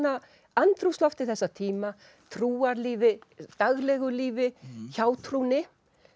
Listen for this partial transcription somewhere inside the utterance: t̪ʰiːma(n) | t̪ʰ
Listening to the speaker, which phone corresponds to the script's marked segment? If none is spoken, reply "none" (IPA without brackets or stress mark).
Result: none